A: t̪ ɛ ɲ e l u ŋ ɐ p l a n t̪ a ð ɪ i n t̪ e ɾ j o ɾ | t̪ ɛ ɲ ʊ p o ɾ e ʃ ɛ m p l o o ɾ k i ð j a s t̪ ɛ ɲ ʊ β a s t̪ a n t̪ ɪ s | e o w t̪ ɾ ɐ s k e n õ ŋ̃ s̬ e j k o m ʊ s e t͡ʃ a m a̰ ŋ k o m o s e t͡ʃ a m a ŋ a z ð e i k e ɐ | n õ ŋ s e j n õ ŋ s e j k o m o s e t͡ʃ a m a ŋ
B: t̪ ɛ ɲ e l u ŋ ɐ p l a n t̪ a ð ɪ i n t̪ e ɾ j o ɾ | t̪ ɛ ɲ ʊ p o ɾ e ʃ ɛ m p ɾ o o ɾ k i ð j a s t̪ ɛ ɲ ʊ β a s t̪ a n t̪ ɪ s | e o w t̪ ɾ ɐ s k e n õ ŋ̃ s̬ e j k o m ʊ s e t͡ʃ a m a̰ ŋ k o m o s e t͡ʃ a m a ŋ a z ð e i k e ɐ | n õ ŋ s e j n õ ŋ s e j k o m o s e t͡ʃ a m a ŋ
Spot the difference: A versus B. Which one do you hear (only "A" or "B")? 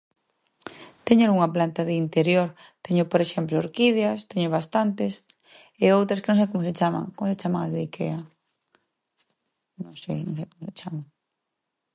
A